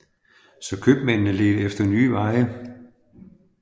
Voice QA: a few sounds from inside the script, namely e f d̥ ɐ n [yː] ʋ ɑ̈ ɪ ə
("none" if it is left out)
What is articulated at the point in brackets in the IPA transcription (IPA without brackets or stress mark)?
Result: yː